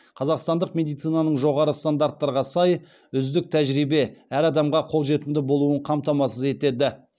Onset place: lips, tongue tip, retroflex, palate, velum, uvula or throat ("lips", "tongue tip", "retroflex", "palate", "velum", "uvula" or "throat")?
uvula